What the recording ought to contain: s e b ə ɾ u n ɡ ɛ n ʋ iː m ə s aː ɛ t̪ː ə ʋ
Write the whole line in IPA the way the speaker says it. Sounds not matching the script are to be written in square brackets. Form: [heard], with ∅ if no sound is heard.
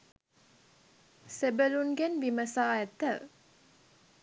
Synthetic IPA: s e b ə [l] u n ɡ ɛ n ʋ [i] m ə s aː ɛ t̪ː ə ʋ